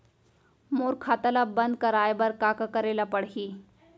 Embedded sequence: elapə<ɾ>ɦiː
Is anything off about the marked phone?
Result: yes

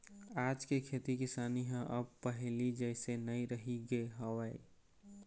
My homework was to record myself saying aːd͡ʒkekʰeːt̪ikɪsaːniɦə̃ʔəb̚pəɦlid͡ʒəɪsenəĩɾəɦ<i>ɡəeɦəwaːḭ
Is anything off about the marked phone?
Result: no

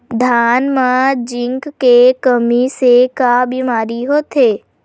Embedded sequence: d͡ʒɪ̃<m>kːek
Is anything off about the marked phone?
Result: yes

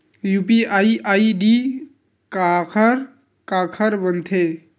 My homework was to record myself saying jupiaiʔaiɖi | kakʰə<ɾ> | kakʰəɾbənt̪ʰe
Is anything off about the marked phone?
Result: no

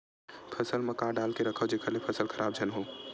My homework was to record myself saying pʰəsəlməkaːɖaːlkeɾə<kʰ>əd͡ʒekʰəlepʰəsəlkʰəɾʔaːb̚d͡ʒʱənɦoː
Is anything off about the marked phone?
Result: no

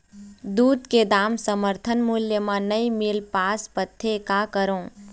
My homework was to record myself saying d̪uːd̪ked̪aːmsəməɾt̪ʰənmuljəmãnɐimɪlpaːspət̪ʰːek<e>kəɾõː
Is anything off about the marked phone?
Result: yes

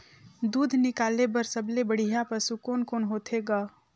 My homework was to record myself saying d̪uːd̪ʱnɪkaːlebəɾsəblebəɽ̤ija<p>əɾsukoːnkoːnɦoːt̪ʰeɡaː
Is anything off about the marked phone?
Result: no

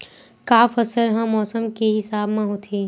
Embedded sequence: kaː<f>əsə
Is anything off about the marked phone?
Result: no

